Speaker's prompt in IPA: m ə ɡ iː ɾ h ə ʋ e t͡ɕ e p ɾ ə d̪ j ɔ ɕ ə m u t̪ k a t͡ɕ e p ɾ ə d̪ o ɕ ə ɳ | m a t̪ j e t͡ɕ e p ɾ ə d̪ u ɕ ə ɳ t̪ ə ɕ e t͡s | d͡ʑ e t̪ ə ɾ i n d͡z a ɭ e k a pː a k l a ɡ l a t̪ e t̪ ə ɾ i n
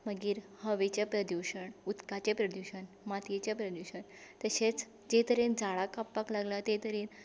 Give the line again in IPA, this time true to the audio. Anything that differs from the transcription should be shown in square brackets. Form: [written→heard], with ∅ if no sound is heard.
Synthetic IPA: m ə ɡ iː ɾ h ə ʋ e t͡ɕ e p ɾ ə d̪ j [ɔ→u] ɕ ə [m→ɳ] u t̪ k a t͡ɕ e p ɾ ə d̪ [o→u] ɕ ə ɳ | m a t̪ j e t͡ɕ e p ɾ ə d̪ u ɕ ə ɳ t̪ ə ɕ e t͡s | d͡ʑ e t̪ ə ɾ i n d͡z a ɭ [e→a] k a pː a k l a ɡ l a t̪ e t̪ ə ɾ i n